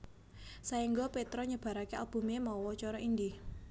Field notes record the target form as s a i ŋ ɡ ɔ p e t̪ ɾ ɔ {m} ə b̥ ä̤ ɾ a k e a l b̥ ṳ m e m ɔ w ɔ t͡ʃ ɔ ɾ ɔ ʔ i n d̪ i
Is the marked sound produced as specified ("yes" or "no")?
no